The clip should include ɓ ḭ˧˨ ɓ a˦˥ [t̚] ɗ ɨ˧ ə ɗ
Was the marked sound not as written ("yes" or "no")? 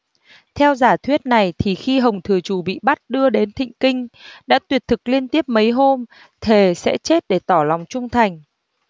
no